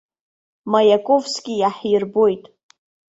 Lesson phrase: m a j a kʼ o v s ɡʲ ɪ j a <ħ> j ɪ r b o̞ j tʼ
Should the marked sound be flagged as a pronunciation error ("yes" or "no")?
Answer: no